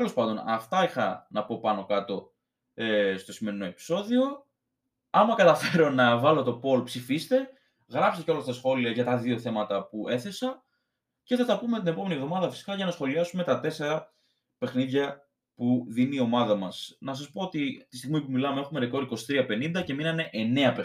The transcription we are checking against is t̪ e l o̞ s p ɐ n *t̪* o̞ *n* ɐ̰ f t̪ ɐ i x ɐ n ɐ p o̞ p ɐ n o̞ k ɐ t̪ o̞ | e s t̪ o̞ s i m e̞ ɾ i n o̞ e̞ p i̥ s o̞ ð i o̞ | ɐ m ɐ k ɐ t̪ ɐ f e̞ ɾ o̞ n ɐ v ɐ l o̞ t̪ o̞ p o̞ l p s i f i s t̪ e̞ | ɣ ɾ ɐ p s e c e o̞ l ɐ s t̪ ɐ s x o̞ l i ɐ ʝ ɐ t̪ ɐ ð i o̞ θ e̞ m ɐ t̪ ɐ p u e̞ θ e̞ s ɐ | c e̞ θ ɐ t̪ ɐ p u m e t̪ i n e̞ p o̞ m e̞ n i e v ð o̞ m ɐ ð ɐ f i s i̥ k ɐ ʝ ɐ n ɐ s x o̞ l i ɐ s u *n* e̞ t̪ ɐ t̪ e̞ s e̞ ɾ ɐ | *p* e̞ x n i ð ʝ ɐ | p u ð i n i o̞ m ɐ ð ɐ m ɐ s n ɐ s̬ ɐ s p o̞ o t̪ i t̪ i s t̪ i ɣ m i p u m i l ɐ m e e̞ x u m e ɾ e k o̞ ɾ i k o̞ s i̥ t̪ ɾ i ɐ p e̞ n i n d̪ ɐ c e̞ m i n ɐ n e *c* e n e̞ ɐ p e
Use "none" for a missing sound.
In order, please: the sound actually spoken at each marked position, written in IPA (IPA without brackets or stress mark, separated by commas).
d̪, n, m, p, ʔ